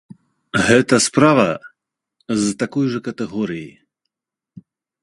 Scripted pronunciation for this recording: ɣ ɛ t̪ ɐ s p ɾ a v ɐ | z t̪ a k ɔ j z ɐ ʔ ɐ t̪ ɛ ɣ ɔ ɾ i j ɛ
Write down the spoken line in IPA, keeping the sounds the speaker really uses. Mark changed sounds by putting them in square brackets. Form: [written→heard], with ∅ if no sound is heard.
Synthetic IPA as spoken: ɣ ɛ t̪ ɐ s p ɾ a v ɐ | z t̪ a k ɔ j [z→ʐ] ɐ [ʔ→k] ɐ t̪ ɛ ɣ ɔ ɾ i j [ɛ→i]